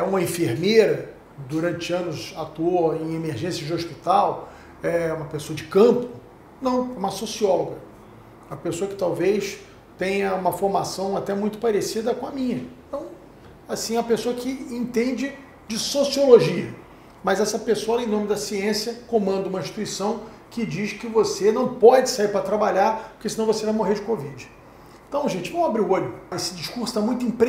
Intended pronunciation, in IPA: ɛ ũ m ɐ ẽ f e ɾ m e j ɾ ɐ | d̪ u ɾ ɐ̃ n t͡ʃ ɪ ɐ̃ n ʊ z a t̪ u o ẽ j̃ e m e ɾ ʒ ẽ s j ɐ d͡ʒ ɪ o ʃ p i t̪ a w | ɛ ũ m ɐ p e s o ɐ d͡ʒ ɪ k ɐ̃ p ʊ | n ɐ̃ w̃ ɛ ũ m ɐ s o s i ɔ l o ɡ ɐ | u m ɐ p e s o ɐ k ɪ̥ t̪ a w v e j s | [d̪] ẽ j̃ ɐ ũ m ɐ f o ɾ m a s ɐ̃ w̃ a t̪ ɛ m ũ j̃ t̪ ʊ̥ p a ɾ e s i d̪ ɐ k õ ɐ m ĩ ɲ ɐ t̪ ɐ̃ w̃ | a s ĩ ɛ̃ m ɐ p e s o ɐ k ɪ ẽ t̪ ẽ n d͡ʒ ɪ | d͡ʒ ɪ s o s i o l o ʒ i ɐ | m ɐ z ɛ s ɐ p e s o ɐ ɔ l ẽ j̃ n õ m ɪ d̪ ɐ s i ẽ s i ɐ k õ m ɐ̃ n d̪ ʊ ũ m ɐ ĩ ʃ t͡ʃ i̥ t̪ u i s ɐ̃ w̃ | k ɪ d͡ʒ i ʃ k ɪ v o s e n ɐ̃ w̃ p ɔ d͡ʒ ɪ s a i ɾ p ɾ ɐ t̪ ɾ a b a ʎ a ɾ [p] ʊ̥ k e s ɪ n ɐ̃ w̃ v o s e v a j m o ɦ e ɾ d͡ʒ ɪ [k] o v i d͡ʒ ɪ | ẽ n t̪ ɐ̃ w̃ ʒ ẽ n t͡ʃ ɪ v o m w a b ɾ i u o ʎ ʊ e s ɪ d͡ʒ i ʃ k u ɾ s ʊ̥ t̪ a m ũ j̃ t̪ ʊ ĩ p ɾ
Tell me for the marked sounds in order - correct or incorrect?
incorrect, correct, correct

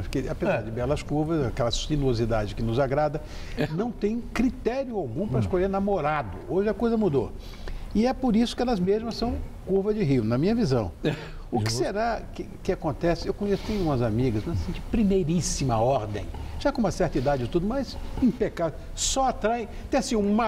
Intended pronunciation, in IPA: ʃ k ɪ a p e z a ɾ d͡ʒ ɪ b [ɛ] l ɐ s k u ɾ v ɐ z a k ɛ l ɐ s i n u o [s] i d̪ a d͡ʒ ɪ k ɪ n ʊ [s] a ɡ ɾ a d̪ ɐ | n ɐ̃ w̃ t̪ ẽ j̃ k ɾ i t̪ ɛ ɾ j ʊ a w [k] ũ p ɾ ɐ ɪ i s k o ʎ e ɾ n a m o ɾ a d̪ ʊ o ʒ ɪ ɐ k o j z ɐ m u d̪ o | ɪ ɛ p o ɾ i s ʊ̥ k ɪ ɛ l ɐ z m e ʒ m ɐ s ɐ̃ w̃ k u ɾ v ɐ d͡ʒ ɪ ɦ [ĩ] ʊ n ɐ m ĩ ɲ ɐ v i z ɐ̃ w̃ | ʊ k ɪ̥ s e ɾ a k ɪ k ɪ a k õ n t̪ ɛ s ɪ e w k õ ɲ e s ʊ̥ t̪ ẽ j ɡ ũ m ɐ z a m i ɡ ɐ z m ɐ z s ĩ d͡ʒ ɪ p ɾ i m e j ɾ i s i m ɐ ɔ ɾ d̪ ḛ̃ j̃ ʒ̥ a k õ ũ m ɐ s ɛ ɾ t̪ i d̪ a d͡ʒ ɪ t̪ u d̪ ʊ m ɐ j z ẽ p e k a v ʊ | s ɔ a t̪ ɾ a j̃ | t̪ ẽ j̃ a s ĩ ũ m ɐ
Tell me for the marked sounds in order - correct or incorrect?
correct, incorrect, incorrect, incorrect, incorrect

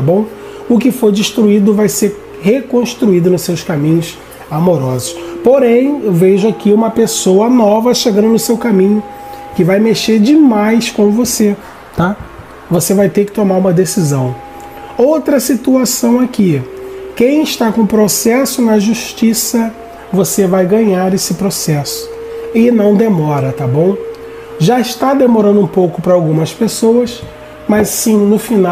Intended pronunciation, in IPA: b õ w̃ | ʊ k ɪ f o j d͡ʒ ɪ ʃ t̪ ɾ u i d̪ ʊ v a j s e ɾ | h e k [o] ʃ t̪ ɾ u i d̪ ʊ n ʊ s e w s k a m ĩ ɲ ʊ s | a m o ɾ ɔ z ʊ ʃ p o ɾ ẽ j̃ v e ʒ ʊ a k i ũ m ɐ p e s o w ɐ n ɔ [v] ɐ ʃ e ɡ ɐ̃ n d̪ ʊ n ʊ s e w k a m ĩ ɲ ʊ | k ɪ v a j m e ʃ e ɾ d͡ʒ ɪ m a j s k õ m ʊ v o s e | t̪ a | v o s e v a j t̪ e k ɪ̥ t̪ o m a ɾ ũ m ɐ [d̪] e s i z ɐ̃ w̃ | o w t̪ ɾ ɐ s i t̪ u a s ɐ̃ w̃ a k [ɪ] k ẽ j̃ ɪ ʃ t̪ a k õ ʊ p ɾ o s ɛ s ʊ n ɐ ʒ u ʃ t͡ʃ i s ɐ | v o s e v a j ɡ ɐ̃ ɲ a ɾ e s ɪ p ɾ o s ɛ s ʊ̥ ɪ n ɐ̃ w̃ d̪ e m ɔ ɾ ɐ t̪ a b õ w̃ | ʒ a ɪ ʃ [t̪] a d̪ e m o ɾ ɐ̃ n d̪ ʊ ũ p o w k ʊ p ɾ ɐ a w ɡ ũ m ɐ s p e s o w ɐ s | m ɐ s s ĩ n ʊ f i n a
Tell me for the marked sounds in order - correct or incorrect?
incorrect, correct, correct, incorrect, correct

